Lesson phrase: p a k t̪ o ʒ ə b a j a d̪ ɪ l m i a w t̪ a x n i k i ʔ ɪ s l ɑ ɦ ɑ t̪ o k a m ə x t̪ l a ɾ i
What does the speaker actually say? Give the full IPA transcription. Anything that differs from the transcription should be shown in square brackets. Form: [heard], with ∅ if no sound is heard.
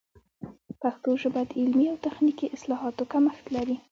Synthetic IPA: p a [x] t̪ o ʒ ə b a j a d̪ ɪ l m i a w t̪ a x n i k i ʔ ɪ s l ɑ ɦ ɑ t̪ o k a m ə x t̪ l a ɾ i